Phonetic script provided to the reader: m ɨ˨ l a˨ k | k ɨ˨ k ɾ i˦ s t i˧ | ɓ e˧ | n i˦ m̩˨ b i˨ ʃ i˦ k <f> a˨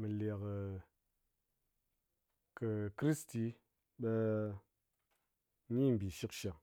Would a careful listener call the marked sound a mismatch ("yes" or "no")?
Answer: yes